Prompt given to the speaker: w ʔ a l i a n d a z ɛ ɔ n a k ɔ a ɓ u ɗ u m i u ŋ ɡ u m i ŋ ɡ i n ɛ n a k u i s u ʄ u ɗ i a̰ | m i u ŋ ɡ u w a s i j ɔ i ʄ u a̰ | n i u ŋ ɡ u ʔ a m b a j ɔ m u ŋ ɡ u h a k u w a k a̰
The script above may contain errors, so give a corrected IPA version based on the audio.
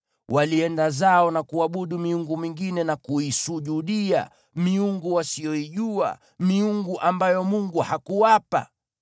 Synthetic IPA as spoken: w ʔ a l i ɛ n d a z a ɔ n a k u a ɓ u ɗ u m i u ŋ ɡ u m i ŋ ɡ i n ɛ n a k u i s u ʄ u ɗ i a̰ | m i u ŋ ɡ u w a s i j ɔ i ʄ u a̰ | m i u ŋ ɡ u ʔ a m b a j ɔ m u ŋ ɡ u h a k u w a p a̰

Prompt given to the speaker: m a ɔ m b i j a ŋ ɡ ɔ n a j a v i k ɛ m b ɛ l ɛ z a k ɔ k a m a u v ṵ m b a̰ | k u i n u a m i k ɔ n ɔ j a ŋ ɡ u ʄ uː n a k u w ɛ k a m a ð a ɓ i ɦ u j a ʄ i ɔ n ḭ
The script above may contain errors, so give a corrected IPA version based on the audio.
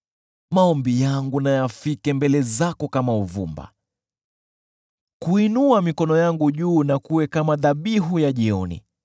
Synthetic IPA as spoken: m a ɔ m b i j a ŋ ɡ u n a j a f i k ɛ m b ɛ l ɛ z a k ɔ k a m a u v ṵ m b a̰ | k u i n u a m i k ɔ n ɔ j a ŋ ɡ u ʄ uː n a k u w ɛ k a m a ð a ɓ i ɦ u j a ʄ i ɔ n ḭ

